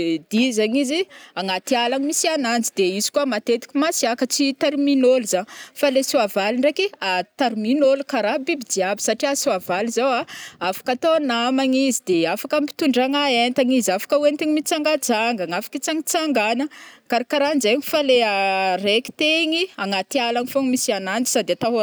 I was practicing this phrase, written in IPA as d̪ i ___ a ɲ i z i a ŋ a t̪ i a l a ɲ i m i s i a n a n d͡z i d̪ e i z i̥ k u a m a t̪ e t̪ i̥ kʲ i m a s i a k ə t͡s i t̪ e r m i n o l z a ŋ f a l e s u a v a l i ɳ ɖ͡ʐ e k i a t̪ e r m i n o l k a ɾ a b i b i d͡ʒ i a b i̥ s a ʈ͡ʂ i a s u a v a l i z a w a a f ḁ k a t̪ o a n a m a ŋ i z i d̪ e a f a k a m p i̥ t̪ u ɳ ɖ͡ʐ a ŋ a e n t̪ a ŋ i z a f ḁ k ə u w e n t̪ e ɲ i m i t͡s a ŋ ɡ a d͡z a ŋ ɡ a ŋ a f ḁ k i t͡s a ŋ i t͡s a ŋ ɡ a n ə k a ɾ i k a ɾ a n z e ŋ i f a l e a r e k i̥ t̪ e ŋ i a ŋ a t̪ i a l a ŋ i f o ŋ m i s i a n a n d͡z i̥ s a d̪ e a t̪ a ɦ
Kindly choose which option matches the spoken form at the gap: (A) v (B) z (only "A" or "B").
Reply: B